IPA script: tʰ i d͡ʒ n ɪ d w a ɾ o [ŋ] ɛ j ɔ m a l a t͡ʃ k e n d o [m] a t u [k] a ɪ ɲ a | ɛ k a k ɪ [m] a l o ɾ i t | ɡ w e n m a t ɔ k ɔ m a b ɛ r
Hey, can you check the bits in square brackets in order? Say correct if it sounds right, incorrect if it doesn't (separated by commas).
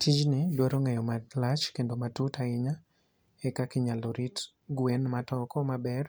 correct, correct, incorrect, incorrect